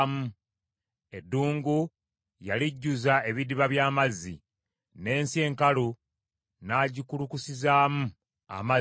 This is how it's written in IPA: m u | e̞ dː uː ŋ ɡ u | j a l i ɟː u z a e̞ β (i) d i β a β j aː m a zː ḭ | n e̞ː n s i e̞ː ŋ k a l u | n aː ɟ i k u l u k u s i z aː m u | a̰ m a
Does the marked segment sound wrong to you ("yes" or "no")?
no